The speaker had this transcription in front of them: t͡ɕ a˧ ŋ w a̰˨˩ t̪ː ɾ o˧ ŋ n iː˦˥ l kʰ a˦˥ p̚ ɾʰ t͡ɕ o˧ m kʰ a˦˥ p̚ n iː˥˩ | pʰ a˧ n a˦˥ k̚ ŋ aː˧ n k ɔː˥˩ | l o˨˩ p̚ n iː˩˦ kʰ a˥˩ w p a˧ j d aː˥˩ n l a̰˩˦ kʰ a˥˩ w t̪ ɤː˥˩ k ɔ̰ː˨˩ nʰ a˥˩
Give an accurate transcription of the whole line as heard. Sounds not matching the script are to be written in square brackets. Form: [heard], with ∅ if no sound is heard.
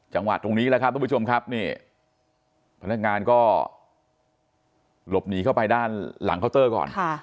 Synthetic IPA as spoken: t͡ɕ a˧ ŋ w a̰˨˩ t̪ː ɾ o˧ ŋ n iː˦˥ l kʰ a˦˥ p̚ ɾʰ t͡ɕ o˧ m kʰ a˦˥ p̚ n iː˥˩ | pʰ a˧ n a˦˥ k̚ ŋ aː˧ n k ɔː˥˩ | l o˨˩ p̚ n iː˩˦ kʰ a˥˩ w p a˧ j d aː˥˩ n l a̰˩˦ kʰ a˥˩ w t̪ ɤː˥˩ k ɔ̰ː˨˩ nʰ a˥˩